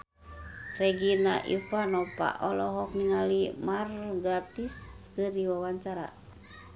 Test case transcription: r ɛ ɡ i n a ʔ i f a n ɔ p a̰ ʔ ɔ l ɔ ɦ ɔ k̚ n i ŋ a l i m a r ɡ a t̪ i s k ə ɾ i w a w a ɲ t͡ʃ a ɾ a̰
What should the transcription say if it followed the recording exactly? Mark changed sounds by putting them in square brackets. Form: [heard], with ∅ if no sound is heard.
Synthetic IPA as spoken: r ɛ ɡ i n a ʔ i f a n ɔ p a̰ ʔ ɔ l ɔ ɦ ɔ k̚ n i ŋ a l i m a r ɡ a t̪ i s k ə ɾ i w a w a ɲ t͡ʃ a ɾ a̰